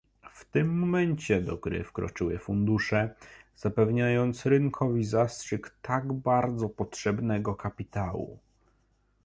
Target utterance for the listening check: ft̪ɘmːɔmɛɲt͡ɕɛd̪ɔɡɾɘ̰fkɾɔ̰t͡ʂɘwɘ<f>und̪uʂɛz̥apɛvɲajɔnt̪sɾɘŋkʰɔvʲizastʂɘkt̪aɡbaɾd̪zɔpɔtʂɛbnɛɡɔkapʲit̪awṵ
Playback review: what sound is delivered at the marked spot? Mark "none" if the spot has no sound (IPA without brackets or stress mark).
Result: f